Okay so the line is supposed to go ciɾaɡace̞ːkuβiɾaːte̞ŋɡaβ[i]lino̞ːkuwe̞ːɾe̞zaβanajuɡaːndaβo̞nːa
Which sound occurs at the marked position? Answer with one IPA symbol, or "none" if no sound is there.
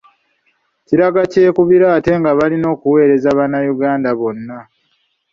a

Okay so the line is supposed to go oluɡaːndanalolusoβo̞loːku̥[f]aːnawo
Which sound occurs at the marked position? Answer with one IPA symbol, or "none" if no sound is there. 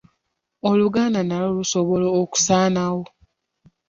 s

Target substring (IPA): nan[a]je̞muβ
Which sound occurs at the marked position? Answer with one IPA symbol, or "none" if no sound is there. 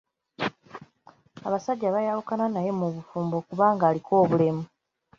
a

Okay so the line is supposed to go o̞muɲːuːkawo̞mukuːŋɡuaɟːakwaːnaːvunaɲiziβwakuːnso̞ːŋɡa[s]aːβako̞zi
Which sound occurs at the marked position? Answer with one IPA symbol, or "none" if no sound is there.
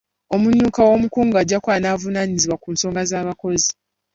z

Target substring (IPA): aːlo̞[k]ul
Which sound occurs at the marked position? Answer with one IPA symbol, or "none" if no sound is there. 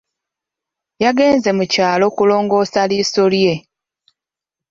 k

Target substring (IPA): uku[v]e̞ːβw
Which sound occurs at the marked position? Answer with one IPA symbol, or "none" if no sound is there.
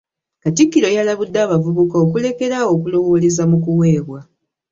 w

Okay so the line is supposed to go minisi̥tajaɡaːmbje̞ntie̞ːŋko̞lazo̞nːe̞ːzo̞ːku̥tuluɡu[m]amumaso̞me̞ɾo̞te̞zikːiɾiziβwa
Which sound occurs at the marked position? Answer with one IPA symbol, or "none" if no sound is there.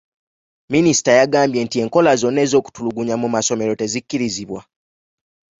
ɲ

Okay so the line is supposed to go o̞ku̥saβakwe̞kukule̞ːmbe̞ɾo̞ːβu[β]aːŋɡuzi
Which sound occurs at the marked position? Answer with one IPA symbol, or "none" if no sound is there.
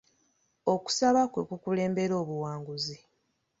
w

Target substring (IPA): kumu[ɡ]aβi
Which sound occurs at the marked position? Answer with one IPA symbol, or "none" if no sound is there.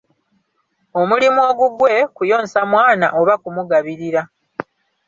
ɡ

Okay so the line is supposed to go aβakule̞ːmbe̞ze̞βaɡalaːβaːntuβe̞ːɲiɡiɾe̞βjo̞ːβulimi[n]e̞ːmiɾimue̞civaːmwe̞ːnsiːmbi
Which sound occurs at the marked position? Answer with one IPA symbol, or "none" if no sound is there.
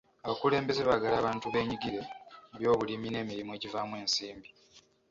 n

